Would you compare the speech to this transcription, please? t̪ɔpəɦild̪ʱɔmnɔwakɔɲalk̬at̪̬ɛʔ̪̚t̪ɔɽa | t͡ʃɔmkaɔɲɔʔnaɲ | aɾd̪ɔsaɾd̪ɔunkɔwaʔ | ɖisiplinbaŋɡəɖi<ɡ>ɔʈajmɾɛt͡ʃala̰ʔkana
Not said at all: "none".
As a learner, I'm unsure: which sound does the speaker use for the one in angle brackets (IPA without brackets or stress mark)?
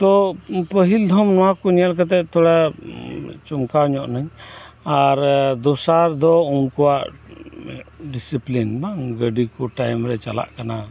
k